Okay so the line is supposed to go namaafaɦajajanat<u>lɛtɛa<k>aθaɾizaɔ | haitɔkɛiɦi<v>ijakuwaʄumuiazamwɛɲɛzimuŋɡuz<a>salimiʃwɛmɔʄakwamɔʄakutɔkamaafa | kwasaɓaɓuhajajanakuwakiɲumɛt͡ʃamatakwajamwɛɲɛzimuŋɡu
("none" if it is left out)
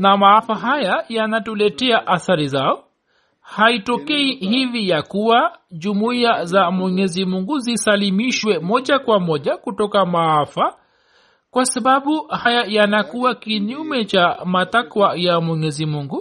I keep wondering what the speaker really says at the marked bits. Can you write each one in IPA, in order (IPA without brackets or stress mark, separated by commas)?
u, ʔ, v, i